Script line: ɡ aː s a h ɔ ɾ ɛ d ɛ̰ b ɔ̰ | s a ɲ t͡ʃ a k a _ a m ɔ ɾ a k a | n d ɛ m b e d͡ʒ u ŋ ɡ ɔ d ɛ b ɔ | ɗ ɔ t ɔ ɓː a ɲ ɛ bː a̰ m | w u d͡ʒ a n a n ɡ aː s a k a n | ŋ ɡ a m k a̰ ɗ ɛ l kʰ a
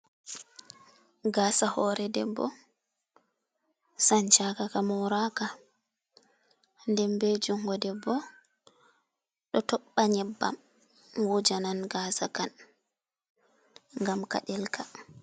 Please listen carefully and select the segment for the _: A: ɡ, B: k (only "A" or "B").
B